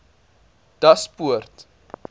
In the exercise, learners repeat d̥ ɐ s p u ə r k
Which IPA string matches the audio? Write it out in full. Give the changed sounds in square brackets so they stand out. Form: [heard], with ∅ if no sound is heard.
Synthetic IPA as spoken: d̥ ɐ s p u ə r [t]